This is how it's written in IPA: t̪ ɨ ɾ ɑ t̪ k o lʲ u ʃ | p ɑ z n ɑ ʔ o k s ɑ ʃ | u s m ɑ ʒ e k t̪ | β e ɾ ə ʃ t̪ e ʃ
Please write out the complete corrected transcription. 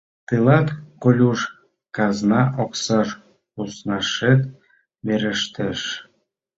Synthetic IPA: t̪ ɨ l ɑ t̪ k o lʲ u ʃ | k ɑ z n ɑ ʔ o k s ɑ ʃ | u s n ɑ ʃ e t̪ | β e ɾ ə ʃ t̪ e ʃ